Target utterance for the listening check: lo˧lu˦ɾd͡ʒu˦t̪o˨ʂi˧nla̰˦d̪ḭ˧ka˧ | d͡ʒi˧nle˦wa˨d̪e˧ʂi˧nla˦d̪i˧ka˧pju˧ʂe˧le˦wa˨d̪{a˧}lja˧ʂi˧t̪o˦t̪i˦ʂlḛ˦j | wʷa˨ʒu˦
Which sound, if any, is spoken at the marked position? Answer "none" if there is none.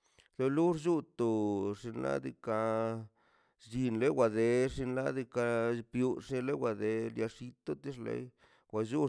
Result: e˧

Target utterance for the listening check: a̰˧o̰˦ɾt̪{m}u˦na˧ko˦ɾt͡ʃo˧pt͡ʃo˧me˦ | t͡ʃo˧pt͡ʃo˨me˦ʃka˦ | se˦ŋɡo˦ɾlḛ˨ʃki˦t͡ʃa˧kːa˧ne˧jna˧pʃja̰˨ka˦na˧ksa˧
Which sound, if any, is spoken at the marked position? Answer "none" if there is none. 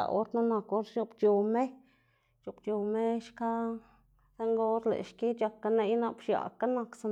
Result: n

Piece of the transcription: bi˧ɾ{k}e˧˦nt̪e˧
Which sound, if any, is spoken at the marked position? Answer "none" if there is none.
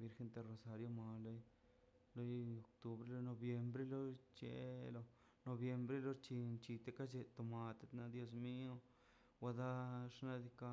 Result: x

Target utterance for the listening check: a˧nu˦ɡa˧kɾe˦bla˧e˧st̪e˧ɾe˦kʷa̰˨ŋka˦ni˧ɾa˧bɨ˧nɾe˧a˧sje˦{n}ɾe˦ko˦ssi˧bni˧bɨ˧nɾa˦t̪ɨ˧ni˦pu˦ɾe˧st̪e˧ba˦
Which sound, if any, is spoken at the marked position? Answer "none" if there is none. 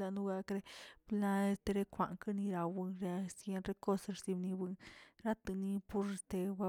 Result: n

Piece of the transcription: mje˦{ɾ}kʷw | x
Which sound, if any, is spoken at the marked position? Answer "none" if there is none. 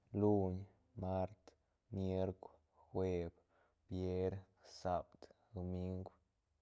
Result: ɾ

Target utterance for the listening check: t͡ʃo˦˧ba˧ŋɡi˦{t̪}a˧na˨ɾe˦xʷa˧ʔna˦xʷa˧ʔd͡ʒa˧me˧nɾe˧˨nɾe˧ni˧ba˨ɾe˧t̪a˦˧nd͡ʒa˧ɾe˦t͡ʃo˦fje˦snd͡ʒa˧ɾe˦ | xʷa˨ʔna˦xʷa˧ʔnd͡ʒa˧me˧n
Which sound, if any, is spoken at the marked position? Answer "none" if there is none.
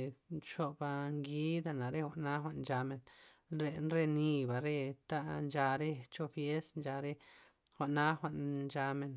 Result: d̪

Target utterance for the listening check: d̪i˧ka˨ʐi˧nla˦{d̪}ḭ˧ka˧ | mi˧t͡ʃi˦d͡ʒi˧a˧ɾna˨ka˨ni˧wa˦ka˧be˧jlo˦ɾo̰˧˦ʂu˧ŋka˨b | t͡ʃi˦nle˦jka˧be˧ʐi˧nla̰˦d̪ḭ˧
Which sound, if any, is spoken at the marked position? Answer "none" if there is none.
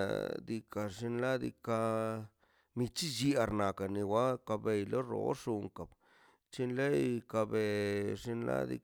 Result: d̪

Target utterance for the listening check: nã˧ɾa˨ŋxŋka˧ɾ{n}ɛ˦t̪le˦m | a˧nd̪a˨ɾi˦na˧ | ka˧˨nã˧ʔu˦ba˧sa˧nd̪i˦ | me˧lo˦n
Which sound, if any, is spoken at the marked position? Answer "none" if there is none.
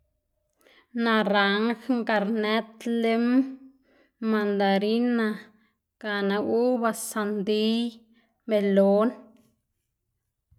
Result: n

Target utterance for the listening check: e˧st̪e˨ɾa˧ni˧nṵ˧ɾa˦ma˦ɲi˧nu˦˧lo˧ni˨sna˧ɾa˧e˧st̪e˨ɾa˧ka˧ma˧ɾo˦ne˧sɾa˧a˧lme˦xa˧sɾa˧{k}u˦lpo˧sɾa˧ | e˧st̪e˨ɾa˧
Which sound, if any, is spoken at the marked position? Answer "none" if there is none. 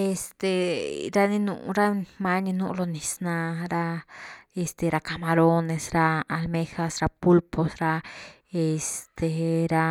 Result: p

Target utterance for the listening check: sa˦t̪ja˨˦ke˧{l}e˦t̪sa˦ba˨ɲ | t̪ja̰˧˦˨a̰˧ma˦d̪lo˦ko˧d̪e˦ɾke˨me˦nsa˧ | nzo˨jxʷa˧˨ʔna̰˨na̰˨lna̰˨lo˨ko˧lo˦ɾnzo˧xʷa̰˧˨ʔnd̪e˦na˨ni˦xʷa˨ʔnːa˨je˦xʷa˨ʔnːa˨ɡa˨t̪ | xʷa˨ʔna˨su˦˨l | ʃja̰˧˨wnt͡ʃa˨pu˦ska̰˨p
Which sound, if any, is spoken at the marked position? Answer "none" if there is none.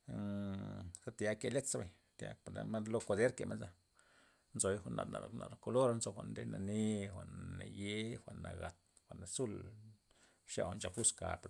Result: l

